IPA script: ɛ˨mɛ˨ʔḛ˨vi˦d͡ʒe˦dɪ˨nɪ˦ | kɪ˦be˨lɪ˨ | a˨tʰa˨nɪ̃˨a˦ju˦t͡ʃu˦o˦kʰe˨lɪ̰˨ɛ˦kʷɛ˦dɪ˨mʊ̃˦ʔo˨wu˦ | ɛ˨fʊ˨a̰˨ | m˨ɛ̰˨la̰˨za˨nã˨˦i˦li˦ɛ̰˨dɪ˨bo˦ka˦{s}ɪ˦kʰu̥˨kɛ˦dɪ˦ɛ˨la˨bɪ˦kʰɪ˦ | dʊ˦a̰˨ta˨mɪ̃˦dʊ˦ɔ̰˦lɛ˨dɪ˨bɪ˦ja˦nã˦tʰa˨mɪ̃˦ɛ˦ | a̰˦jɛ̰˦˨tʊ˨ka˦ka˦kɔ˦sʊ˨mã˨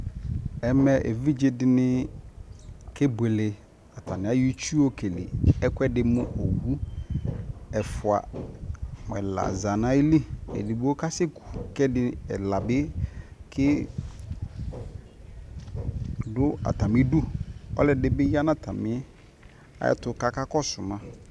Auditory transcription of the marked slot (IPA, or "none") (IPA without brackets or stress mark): s